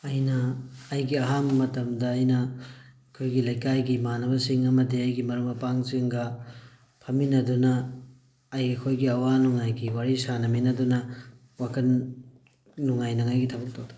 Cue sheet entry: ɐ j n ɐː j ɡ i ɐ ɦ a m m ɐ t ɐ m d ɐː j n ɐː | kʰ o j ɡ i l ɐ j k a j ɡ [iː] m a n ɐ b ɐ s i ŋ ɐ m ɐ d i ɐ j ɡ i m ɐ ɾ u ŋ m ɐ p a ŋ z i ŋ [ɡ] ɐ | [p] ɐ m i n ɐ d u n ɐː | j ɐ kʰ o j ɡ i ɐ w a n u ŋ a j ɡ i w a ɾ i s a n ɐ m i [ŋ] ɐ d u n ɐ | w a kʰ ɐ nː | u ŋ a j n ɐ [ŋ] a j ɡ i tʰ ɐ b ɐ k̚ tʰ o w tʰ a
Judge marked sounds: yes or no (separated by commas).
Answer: no, yes, no, no, yes